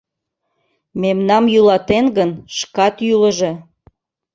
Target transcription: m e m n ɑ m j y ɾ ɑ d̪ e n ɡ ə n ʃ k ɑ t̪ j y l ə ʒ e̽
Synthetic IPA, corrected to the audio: m e m n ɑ m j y l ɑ t̪ e n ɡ ə n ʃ k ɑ t̪ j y l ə ʒ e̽